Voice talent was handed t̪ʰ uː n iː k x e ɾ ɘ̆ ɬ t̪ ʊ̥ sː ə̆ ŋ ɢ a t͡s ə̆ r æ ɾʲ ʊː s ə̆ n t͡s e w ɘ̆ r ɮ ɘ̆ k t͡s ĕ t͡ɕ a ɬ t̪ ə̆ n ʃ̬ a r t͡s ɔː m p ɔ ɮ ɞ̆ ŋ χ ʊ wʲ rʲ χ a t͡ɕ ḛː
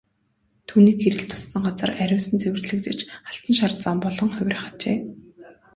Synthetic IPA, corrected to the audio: t̪ʰ uː n iː k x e ɾ ɘ̆ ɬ t̪ʰ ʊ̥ sː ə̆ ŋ ɢ a t͡s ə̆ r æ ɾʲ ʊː s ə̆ n t͡s e w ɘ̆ r ɮ ɘ̆ k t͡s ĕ t͡ɕ a ɬ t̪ ə̆ n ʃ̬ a r t͡s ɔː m p ɔ ɮ ɞ̆ ŋ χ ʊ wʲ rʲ χ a t͡ɕ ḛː